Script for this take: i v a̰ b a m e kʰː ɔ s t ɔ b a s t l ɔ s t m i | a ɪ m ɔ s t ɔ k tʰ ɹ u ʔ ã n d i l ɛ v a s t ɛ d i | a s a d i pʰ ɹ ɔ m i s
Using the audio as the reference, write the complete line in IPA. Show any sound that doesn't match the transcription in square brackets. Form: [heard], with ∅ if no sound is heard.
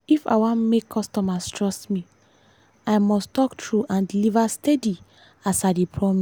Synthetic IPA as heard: i [f] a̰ [w] a m e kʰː ɔ s t ɔ [m] a s t [ɹ] ɔ s t m i | a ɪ m ɔ s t ɔ k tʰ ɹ u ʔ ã n d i l [i] v a s t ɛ d i | a s a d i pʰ ɹ ɔ m i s

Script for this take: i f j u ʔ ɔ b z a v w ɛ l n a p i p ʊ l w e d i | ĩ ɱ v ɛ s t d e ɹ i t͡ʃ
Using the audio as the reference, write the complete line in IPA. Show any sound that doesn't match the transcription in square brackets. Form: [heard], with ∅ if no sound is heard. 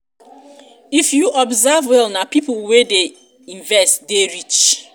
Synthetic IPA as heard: i f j u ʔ ɔ b z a v w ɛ l n a p i p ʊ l w e d [e] | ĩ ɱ v ɛ s t d e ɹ i t͡ʃ

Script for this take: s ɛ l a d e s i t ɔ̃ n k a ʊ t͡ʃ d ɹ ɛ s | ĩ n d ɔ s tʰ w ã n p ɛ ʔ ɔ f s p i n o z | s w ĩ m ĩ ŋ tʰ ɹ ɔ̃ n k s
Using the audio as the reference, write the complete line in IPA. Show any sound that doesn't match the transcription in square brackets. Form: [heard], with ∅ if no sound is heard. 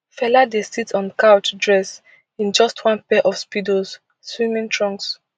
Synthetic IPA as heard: [f] ɛ l a d e s i t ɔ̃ n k a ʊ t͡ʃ d ɹ ɛ s | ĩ n [d͡ʒ] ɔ s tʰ w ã n p ɛ ʔ ɔ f s p i [d] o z | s w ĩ m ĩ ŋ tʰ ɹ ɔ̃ [ŋ] k s

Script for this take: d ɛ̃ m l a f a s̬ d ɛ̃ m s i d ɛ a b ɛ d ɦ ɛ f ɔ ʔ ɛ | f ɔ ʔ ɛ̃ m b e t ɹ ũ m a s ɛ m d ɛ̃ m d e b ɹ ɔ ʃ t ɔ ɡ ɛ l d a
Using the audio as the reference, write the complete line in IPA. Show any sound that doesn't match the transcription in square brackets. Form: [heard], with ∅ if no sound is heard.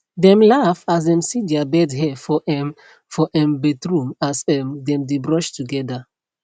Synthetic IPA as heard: d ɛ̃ m l a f a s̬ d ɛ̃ m s i d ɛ a b ɛ d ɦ ɛ f ɔ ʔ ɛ | f ɔ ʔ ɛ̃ m b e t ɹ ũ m a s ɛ m d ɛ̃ m d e b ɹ ɔ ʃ t [u] ɡ ɛ [∅] d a

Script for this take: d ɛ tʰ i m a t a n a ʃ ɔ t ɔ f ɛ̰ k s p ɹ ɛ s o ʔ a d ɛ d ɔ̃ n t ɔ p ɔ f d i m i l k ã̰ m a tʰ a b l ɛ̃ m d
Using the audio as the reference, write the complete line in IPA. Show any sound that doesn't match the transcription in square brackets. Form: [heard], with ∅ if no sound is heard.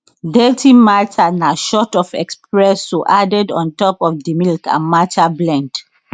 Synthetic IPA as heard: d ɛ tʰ i m a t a n a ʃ ɔ t ɔ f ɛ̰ k s p ɹ ɛ s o ʔ a d ɛ d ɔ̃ n t ɔ p ɔ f d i m i l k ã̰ m a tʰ a b l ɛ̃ [n] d

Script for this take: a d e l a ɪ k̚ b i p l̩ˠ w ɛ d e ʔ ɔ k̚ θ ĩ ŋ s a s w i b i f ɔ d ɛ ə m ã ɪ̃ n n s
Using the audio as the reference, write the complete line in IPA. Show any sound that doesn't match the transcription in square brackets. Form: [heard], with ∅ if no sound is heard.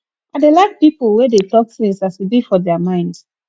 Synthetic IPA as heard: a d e l a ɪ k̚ [p] i p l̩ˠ w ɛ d e [t] ɔ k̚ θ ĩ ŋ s a s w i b i f ɔ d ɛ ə m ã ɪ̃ n [d] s

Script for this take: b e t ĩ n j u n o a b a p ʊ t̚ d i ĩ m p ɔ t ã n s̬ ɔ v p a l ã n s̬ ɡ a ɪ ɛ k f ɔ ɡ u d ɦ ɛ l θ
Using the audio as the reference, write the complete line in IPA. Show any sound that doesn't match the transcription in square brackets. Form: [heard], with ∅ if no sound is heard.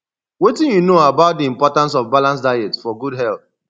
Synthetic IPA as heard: [w] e t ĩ n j u n o a b a [∅] ʊ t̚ d i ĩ m p ɔ t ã n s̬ ɔ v [b] a l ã n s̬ [d] a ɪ ɛ [t] f ɔ ɡ u d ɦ ɛ l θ

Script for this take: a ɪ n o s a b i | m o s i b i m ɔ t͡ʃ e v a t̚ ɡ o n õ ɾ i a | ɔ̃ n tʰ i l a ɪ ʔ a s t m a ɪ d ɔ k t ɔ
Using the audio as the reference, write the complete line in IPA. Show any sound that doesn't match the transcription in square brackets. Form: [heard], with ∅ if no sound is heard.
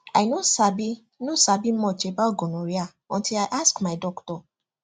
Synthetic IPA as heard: a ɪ n o s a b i | [n] o s [a] b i m ɔ t͡ʃ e [b] a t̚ ɡ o n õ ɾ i a | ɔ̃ n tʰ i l a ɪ ʔ a s [k] m a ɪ d ɔ k t ɔ

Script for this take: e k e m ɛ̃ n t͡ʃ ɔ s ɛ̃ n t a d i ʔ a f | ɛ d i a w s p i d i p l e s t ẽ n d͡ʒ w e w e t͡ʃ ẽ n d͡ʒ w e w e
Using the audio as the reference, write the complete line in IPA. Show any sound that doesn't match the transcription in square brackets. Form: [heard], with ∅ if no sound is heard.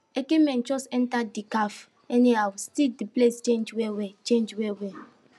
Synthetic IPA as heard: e k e m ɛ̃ n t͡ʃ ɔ s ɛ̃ n t a d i [k] a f | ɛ [n] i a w s [t] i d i p l e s [t͡ʃ] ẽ n d͡ʒ w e w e t͡ʃ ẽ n d͡ʒ w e w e

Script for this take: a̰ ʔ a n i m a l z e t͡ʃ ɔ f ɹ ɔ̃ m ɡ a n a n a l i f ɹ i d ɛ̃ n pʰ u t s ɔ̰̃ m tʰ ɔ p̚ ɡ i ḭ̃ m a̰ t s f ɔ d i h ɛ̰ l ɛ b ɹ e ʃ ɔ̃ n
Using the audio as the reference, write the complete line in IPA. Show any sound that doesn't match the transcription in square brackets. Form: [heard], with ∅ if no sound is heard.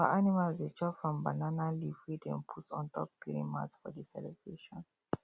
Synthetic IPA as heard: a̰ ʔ a n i m a l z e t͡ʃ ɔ f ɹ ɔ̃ m [b] a n a n a l i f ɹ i d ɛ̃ n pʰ u t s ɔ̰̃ [n] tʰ ɔ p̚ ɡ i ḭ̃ m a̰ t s f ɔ d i [s] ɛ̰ l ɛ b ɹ e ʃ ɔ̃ n

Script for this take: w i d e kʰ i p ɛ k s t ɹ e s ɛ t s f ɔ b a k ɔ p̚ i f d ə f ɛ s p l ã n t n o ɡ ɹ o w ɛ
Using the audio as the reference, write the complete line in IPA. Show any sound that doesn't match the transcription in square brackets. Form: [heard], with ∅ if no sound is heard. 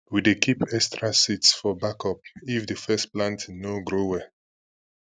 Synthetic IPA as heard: w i d e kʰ i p ɛ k s t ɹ [a] s [i] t s f ɔ b a k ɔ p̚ i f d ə f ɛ s p l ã n t n o ɡ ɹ o w ɛ

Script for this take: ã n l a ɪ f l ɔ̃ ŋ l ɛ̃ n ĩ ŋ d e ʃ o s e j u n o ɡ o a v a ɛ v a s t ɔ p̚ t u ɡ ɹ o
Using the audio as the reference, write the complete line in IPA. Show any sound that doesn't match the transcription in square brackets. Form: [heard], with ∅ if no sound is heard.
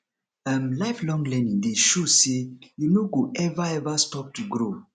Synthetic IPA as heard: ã [m] l a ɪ f l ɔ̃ ŋ l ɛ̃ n ĩ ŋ d e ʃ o s e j u n o ɡ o [ɛ] v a ɛ v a s t ɔ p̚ t u ɡ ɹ o

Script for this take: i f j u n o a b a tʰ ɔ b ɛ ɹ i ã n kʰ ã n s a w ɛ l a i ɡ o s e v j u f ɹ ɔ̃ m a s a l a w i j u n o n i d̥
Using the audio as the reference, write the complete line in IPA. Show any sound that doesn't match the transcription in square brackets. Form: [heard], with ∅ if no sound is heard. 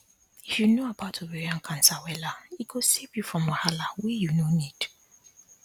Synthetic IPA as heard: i f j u n o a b a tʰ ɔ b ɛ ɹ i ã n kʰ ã n s a w ɛ l a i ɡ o s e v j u f ɹ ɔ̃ m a [h] a l a w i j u n o n i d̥

